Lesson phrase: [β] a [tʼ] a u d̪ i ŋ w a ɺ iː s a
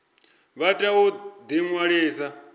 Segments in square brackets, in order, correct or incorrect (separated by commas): correct, correct